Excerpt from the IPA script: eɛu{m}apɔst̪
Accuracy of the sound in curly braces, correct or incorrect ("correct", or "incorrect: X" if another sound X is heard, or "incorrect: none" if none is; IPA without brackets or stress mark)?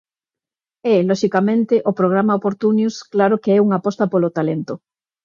incorrect: ŋ